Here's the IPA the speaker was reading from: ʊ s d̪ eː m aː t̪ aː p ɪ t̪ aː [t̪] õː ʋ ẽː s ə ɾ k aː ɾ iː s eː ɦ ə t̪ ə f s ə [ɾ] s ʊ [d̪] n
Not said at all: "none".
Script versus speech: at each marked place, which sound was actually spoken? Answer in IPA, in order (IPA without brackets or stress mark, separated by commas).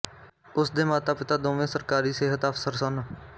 d̪, ɾ, none